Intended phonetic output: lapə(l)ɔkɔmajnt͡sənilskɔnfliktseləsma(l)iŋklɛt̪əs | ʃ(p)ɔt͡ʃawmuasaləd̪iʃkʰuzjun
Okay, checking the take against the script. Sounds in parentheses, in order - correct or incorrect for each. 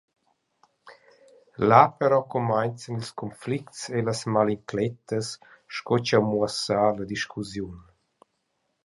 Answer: incorrect, correct, incorrect

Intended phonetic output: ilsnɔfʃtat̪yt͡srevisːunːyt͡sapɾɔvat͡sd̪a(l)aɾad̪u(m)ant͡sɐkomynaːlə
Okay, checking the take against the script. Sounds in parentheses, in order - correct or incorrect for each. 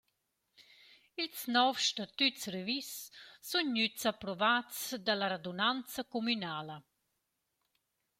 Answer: correct, incorrect

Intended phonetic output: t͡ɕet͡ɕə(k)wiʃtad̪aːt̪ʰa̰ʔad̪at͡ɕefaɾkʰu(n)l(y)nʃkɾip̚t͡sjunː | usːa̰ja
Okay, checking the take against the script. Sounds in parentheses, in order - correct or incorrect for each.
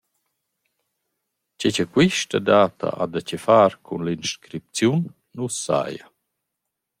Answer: correct, correct, incorrect

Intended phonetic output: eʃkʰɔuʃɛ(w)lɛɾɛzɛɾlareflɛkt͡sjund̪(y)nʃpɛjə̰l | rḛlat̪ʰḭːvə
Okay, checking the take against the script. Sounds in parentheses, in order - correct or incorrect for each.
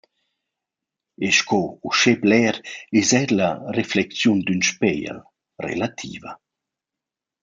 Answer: incorrect, correct

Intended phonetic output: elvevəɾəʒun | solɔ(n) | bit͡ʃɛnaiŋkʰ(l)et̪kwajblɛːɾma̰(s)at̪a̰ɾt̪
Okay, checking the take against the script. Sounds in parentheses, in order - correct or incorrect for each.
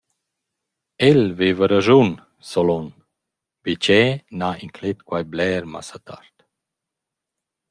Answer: correct, correct, correct

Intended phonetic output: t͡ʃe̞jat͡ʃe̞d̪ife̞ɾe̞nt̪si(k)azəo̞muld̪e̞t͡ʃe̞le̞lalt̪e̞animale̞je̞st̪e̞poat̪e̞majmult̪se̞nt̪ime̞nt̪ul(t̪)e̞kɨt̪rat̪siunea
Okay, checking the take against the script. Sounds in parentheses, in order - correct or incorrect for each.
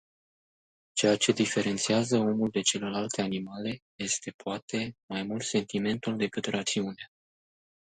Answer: incorrect, incorrect

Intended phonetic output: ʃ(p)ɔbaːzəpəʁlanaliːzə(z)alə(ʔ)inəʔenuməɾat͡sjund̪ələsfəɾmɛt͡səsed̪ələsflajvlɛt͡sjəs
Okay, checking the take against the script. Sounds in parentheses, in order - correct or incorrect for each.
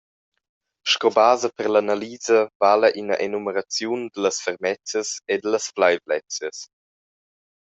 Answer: incorrect, incorrect, correct

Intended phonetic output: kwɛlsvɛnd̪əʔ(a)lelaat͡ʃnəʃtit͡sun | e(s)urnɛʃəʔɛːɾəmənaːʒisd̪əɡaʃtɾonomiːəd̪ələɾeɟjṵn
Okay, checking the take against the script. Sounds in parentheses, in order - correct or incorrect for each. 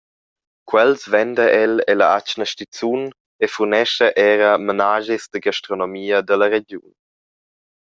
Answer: incorrect, incorrect

